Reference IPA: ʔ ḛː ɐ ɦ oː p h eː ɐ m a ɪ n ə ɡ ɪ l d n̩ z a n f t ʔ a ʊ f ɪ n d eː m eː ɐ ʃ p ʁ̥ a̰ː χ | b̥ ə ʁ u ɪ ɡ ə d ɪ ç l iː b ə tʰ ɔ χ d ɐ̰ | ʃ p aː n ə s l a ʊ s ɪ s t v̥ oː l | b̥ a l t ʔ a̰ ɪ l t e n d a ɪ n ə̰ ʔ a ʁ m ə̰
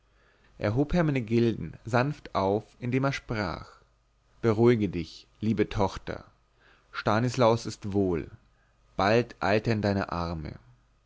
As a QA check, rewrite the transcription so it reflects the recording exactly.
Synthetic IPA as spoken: ʔ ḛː ɐ ɦ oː p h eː ɐ m a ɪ n ə ɡ ɪ l d n̩ z a n f t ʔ a ʊ f ɪ n d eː m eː ɐ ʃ p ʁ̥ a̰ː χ | b̥ ə ʁ u ɪ ɡ ə d ɪ ç l iː b ə tʰ ɔ χ t ɐ̰ | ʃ t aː n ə s l a ʊ s ɪ s t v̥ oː l | b̥ a l t ʔ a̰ ɪ l t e n d a ɪ n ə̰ ʔ a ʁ m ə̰